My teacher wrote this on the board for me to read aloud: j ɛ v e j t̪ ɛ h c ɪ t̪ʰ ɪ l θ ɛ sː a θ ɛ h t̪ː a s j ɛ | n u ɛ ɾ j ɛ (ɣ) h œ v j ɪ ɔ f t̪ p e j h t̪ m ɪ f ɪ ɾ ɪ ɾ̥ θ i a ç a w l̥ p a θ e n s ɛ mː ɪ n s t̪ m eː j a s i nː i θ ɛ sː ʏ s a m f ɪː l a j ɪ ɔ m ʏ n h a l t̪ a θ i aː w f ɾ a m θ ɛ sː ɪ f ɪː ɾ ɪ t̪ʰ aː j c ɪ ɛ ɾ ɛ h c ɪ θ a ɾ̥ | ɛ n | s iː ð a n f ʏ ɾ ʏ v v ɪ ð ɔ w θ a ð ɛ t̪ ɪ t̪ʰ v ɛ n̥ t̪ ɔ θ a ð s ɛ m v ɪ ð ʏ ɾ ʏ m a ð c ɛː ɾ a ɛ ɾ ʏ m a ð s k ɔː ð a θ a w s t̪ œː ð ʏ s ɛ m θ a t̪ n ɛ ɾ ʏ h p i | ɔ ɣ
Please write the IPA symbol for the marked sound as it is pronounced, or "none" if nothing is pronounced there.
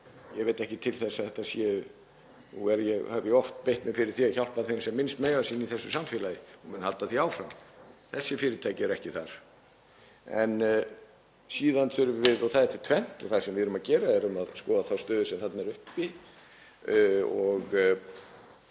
ɣ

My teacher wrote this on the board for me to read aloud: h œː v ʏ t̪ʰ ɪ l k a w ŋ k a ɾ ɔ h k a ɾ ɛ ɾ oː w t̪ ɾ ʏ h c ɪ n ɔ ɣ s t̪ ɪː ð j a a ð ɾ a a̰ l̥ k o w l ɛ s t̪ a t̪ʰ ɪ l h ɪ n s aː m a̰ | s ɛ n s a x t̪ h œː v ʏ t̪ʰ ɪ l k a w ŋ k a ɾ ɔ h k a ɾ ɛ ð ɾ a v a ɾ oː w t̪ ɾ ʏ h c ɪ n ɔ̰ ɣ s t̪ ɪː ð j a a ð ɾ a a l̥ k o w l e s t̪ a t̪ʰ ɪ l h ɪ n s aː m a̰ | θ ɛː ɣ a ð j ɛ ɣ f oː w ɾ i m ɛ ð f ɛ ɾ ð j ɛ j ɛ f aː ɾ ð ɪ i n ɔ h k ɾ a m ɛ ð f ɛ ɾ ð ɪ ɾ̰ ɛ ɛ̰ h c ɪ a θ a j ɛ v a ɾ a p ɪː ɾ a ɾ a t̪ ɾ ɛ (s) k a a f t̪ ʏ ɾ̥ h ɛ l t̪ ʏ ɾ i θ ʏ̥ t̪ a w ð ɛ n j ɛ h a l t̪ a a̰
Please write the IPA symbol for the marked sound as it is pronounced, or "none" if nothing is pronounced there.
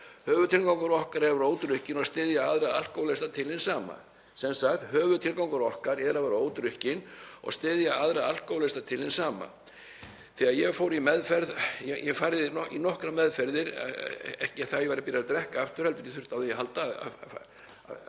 h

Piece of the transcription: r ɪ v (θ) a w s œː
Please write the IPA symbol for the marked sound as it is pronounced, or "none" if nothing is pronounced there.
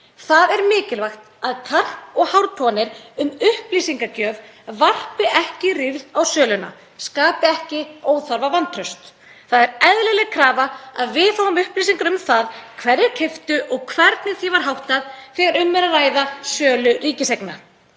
ð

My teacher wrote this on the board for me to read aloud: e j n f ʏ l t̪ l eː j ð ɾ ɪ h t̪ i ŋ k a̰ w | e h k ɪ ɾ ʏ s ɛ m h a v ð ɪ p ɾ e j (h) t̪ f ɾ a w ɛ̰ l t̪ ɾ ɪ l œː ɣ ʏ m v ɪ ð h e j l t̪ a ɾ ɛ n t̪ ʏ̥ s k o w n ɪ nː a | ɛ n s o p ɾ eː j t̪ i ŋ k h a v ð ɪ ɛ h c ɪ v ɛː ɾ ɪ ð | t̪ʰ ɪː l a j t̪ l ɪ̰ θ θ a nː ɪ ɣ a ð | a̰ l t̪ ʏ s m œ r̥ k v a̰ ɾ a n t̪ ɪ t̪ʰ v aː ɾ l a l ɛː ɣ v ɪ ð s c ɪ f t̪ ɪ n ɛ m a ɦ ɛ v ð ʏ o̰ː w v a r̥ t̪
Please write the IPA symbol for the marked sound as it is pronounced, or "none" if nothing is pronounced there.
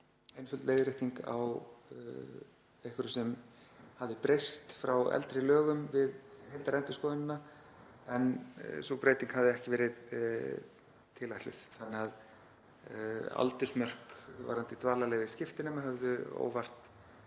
s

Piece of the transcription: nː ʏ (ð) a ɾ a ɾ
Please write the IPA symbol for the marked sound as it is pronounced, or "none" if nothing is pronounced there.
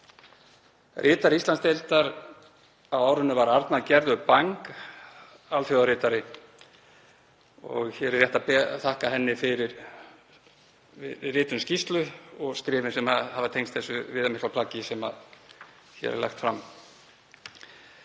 v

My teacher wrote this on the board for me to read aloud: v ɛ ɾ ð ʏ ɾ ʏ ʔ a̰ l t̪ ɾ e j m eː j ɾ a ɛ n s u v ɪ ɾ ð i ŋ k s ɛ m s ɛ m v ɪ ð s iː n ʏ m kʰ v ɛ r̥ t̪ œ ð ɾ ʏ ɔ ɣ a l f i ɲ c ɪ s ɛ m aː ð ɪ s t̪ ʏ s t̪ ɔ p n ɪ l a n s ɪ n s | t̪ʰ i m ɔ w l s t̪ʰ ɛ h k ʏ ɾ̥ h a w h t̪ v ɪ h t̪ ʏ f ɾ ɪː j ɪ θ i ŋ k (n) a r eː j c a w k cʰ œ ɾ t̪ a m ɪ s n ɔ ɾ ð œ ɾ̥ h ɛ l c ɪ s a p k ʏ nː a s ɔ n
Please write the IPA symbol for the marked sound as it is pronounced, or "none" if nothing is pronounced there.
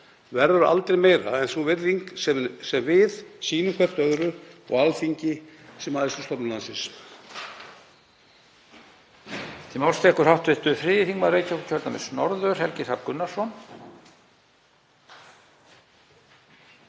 m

